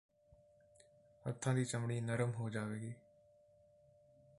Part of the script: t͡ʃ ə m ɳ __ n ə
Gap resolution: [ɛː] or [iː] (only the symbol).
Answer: iː